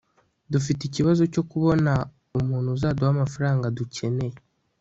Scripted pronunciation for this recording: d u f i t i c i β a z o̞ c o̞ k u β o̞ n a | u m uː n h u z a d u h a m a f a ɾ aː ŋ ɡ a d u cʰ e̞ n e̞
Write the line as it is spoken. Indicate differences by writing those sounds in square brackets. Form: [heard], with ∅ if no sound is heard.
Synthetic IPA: d u f i t i c i β a z o̞ c o̞ k u β o̞ n a | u m uː n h u z a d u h a m a f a ɾ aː ŋ ɡ a d u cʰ e̞ n e̞